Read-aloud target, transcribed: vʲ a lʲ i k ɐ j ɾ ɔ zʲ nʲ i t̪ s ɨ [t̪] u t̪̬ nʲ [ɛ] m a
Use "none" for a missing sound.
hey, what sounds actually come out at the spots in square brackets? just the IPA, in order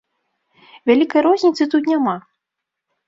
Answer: t̪, a

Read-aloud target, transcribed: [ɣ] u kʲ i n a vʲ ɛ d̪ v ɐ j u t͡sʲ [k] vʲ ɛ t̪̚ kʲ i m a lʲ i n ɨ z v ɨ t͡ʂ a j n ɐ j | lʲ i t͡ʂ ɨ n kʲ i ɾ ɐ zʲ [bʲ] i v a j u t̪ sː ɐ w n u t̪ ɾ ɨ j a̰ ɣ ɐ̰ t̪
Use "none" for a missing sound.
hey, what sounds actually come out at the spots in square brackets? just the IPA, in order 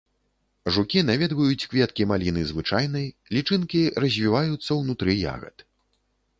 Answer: ʐ, k, vʲ

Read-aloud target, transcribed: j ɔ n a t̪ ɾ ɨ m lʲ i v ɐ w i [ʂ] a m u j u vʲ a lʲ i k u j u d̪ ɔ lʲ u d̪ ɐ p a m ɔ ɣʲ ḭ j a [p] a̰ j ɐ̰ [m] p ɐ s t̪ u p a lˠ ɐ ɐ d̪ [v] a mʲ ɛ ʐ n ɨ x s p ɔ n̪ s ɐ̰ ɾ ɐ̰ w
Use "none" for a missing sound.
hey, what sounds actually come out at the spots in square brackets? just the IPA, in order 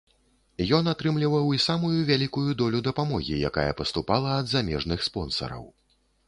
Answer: s, k, none, z

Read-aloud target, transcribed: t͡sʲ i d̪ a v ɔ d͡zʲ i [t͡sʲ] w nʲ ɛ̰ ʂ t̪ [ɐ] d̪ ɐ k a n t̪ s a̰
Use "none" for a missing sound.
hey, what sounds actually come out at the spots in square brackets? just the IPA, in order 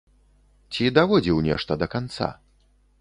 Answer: none, ɐ

